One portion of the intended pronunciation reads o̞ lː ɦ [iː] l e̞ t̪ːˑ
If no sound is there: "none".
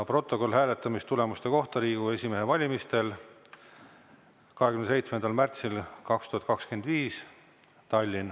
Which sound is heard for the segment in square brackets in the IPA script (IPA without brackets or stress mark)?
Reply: æː